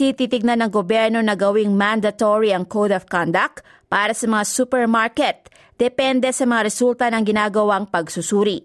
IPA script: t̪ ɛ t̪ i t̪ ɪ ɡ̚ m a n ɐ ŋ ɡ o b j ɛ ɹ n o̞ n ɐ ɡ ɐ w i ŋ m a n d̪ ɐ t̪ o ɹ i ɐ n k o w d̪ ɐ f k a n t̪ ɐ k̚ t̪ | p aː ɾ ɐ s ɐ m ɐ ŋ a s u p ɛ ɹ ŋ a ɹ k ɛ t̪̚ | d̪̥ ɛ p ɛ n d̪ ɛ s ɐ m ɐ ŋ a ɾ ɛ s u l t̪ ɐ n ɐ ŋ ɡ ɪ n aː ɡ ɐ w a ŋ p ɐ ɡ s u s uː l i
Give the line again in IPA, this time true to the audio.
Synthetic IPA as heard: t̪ i t̪ i t̪ ɪ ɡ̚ n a n ɐ ŋ ɡ o b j ɛ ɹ n o̞ n ɐ ɡ ɐ w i ŋ m a n d̪ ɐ t̪ o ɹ i ɐ ŋ k o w d̪ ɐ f k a n d̪ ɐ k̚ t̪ | p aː ɾ ɐ s ɐ m ɐ ŋ a s u p ɛ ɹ m a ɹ k ɛ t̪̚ | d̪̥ ɛ p ɛ n d̪ ɛ s ɐ m ɐ ŋ a ɾ ɛ s u l t̪ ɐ n ɐ ŋ ɡ ɪ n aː ɡ ɐ w a ŋ p ɐ ɡ s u s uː ɾ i